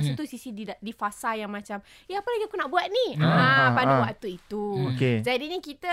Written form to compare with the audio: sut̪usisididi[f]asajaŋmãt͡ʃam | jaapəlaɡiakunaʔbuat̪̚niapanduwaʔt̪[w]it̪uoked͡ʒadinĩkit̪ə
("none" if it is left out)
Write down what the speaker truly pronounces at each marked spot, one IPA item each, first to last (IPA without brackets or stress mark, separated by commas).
f, u